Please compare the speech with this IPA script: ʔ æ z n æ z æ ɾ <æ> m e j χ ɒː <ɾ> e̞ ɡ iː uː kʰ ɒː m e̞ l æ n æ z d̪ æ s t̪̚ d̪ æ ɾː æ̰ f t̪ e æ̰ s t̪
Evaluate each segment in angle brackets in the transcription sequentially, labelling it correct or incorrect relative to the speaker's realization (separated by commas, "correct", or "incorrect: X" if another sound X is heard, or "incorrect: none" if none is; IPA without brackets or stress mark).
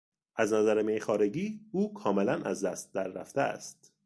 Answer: incorrect: e, correct